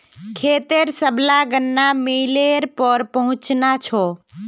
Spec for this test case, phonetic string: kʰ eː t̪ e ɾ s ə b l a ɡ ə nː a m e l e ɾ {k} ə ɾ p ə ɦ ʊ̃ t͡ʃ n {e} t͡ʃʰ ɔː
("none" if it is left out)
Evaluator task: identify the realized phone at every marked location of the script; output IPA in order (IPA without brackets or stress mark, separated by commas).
p, a